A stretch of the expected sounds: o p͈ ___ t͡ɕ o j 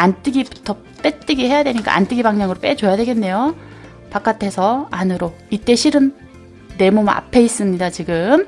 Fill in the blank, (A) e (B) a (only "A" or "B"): A